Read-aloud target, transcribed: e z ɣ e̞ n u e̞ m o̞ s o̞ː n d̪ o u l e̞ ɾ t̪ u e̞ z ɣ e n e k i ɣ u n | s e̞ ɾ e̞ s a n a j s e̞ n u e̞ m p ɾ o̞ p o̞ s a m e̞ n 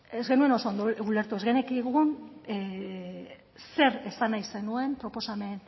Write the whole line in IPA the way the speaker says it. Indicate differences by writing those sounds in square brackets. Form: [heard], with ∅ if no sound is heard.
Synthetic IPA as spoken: e z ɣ e̞ n u e̞ [n] o̞ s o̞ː n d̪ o u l e̞ ɾ t̪ u e̞ z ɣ e n e k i ɣ u n | s e̞ ɾ e̞ s a n a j s e̞ n u e̞ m p ɾ o̞ p o̞ s a m e̞ n